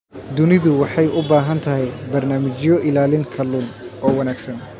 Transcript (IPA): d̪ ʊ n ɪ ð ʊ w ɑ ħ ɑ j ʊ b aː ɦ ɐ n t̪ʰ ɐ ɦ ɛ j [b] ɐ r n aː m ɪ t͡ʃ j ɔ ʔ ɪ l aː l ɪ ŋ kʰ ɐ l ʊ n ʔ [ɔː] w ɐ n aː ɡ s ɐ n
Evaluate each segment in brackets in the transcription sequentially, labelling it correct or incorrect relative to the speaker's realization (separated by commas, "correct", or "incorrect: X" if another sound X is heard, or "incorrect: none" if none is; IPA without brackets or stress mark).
correct, correct